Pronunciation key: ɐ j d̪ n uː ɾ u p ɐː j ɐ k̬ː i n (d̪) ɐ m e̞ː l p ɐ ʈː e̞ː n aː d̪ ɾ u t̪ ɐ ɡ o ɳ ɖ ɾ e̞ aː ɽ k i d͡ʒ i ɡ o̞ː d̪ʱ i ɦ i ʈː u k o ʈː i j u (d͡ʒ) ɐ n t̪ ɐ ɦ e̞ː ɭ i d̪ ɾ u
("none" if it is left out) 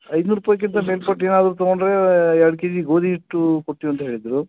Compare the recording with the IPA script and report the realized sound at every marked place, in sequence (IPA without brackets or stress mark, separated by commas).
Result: t̪, none